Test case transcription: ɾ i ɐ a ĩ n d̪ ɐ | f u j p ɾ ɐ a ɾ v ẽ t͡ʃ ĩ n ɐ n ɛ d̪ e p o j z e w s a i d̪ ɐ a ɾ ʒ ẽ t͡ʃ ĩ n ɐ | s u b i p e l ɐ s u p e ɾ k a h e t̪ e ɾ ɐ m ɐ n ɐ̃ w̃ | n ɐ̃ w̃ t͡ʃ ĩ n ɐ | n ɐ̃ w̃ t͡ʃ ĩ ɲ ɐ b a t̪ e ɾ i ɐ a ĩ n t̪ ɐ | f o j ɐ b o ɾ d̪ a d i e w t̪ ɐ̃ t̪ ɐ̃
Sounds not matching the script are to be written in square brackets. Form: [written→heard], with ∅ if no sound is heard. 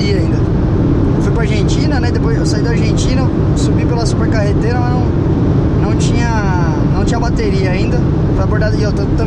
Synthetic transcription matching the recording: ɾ i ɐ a ĩ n d̪ ɐ | f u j p ɾ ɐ a ɾ [v→ʒ] ẽ t͡ʃ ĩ n ɐ n ɛ d̪ e p o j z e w s a i d̪ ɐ a ɾ ʒ ẽ t͡ʃ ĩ n ɐ | s u b i p e l ɐ s u p e ɾ k a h e t̪ e ɾ ɐ m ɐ n ɐ̃ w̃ | n ɐ̃ w̃ t͡ʃ ĩ [n→ɲ] ɐ | n ɐ̃ w̃ t͡ʃ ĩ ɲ ɐ b a t̪ e ɾ i ɐ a ĩ n [t̪→d̪] ɐ | f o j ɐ b o ɾ d̪ a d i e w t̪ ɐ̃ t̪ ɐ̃